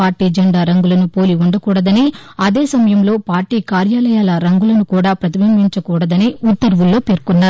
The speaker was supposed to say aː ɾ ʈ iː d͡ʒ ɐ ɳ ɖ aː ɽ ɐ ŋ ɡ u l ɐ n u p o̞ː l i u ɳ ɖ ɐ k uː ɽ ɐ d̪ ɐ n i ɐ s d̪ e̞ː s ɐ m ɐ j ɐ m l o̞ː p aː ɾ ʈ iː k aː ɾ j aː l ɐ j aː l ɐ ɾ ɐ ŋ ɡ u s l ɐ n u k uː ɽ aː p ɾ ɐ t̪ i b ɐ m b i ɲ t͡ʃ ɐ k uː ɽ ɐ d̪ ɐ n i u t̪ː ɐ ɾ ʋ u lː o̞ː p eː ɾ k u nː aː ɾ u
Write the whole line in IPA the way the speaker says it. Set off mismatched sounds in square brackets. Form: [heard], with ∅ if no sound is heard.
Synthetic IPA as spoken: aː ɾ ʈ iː d͡ʒ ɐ ɳ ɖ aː [ɾ] ɐ ŋ ɡ u l ɐ n u p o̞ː l i u ɳ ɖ ɐ k uː ɽ ɐ d̪ ɐ n i ɐ [∅] d̪ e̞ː s ɐ m ɐ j ɐ m l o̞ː p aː ɾ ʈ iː k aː ɾ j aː l ɐ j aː l ɐ ɾ ɐ ŋ ɡ u [∅] l ɐ n u k uː ɽ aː p ɾ ɐ t̪ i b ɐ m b i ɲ t͡ʃ ɐ k uː ɽ ɐ d̪ ɐ n i u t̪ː ɐ ɾ ʋ u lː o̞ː p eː ɾ k u nː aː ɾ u